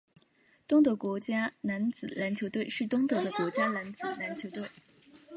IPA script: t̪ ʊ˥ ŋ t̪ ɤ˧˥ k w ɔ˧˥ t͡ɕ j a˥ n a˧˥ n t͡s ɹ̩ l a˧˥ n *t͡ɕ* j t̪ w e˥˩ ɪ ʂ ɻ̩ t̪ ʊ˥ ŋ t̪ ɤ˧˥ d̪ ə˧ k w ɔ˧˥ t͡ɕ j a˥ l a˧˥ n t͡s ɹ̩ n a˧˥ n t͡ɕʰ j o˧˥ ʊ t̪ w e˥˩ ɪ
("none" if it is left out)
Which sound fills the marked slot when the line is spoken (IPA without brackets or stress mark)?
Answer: t͡ɕʰ